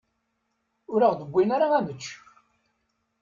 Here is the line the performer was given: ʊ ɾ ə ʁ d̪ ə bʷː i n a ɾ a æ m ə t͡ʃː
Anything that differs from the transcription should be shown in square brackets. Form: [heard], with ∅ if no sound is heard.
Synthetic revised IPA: ʊ ɾ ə ʁ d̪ ə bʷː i n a ɾ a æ m ə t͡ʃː